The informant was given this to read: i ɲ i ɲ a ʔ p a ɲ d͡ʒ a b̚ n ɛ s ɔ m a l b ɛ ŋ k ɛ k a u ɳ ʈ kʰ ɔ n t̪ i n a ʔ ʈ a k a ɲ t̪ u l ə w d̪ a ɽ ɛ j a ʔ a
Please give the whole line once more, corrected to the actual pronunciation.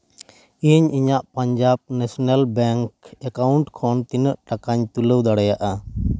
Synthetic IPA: i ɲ i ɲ a ʔ p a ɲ d͡ʒ a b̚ n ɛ s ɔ n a l b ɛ ŋ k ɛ k a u ɳ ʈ kʰ ɔ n t̪ i n ə ʔ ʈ a k a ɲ t̪ u l ə w d̪ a ɽ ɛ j a ʔ a